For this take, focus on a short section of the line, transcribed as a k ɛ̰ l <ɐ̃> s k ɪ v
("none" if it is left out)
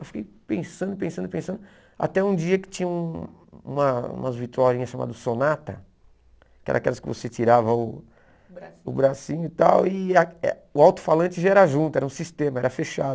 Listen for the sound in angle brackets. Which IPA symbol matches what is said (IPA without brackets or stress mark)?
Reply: ɐ